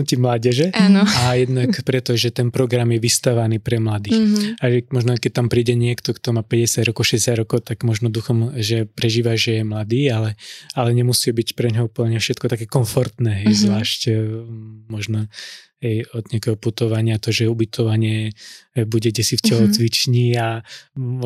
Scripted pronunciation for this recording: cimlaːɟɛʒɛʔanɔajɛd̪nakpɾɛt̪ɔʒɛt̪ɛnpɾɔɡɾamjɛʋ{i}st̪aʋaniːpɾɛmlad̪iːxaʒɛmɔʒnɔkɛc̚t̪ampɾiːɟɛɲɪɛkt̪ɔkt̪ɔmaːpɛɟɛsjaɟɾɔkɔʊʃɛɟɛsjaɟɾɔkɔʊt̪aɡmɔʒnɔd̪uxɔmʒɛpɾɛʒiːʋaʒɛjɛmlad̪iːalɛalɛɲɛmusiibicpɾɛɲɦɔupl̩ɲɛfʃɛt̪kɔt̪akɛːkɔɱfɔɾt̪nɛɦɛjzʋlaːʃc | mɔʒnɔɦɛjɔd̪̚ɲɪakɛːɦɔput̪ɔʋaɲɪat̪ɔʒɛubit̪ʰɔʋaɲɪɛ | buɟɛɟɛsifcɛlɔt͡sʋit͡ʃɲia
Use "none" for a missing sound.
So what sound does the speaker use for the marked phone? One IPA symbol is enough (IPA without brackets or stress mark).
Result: i